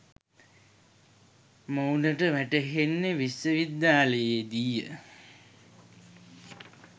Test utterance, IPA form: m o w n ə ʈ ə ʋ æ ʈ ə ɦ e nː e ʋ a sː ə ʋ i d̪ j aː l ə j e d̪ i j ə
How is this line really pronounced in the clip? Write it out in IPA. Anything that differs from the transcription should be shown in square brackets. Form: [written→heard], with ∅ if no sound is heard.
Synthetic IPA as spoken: m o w n ə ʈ ə ʋ æ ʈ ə ɦ e nː e ʋ [a→i] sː ə ʋ i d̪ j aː l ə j e d̪ i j ə